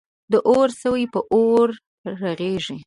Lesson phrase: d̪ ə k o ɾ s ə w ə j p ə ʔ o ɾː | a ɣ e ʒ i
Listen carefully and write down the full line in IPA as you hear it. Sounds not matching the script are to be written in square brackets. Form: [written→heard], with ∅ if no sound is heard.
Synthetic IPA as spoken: d̪ ə [k→ʔ] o ɾ s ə w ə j p ə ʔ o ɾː | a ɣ e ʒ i